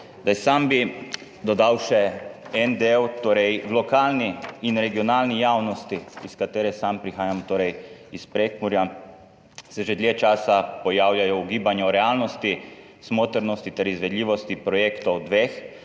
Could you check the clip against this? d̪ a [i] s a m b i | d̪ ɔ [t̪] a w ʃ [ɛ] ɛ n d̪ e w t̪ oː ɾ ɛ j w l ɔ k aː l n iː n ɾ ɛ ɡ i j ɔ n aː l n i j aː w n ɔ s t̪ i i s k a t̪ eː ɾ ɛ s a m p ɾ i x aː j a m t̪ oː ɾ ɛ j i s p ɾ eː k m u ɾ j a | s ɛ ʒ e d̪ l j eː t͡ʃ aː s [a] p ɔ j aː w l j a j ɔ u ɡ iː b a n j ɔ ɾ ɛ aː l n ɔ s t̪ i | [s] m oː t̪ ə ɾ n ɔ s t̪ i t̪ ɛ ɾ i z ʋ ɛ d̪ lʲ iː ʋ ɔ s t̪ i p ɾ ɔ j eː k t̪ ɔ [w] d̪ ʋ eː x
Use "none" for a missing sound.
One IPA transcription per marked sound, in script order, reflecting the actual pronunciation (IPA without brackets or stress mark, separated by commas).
j, d̪, ɛ, a, s, w